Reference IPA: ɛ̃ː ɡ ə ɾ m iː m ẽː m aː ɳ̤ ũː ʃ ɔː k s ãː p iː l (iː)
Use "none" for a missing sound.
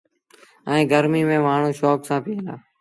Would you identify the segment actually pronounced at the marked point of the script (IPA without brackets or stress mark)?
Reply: aː